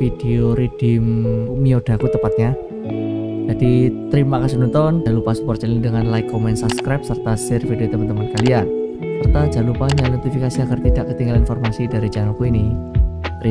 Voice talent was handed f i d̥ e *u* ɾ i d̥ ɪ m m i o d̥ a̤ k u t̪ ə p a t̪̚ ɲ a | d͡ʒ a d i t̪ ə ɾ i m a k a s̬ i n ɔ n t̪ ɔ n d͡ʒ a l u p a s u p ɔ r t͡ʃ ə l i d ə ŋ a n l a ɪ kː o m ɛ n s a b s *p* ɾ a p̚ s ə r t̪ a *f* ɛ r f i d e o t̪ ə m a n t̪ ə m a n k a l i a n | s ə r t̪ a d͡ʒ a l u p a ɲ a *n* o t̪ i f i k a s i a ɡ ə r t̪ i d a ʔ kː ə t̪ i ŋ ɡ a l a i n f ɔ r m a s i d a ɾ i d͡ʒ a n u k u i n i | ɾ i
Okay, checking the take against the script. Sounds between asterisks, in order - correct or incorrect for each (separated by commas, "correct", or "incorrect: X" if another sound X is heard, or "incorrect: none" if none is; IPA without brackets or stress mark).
incorrect: o, incorrect: k, incorrect: s, correct